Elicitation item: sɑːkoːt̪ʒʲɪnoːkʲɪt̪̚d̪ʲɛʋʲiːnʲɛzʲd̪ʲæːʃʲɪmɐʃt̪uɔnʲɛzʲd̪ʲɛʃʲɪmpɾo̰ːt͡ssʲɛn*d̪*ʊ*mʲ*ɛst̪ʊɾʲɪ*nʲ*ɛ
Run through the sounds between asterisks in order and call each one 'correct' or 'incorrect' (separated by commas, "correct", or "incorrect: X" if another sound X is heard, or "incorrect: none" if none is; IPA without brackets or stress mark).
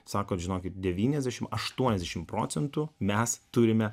incorrect: t̪, correct, incorrect: mʲ